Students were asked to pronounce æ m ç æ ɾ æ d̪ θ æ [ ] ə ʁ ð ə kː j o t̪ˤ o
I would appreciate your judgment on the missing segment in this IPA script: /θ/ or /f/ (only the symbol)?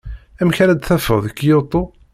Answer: f